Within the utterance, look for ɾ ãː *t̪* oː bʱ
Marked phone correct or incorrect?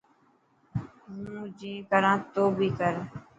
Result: correct